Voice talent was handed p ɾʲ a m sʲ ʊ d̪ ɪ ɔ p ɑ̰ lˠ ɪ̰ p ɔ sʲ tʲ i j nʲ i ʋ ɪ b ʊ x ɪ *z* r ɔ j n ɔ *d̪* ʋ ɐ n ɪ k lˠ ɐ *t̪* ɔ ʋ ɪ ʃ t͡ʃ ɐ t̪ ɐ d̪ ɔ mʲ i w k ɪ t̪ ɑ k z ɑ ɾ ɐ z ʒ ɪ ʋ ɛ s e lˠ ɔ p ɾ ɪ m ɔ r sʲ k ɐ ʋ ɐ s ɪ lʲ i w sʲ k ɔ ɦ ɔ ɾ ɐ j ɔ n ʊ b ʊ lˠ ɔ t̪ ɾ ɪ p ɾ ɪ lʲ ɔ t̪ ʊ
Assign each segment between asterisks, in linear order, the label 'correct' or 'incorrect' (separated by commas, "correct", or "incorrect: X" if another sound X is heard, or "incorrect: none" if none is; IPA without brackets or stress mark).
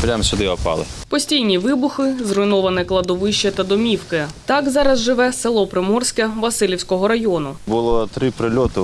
correct, incorrect: none, incorrect: d̪